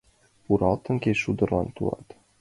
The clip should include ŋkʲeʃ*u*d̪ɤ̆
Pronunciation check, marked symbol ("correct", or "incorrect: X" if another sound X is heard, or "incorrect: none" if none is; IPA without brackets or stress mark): correct